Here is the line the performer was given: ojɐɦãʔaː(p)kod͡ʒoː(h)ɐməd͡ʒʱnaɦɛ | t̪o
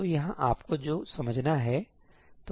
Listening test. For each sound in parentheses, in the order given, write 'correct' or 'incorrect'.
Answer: correct, incorrect: s

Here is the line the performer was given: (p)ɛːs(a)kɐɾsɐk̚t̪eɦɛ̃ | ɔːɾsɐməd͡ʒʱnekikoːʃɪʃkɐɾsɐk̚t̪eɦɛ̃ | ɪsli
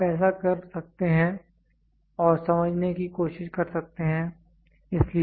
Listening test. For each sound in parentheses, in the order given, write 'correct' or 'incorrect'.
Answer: correct, correct

